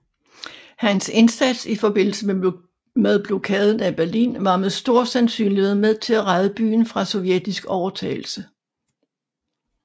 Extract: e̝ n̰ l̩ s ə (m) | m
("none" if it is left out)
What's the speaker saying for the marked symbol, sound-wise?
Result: m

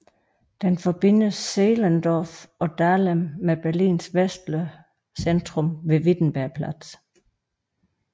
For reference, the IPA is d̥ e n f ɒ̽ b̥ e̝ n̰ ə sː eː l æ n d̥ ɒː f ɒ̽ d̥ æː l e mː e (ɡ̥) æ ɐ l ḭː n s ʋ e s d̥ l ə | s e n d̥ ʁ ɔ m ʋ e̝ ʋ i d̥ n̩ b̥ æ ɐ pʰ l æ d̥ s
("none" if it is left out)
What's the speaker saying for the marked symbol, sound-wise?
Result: b̥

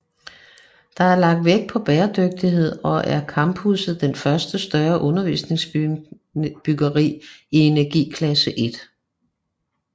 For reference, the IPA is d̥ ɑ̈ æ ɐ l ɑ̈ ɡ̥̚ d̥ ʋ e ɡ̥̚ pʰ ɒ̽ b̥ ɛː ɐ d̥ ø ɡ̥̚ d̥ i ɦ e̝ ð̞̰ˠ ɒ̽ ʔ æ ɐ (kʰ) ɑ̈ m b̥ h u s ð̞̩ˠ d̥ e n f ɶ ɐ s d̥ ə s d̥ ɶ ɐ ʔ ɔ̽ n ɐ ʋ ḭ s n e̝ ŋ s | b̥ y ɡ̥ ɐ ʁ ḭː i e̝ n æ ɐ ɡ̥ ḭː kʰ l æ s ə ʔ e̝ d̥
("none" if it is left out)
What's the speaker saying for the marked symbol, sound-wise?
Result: kʰ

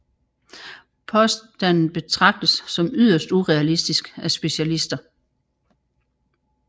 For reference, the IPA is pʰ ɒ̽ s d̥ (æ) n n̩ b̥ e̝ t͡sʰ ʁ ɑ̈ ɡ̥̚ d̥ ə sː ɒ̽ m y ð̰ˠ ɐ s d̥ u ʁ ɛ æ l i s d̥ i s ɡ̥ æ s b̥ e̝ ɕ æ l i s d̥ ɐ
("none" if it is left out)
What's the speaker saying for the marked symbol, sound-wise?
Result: æ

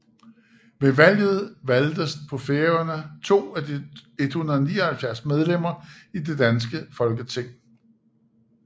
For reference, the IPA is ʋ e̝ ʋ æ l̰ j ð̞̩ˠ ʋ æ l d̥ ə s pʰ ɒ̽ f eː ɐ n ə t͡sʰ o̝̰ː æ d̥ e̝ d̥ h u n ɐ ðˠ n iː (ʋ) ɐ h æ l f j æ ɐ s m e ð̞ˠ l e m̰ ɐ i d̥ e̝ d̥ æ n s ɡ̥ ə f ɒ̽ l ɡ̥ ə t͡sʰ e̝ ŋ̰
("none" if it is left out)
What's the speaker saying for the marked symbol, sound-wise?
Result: none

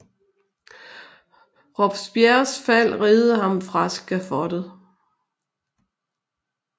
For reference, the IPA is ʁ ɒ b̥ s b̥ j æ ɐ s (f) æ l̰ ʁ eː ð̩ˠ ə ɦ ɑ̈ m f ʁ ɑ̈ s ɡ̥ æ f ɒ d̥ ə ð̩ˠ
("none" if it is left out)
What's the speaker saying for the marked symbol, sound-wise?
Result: f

